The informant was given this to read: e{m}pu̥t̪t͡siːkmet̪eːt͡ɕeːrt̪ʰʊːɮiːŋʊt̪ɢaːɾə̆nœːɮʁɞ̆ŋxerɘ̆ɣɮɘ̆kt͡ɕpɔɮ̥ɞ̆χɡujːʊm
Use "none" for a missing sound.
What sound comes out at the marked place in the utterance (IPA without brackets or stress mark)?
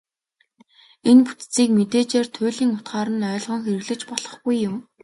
n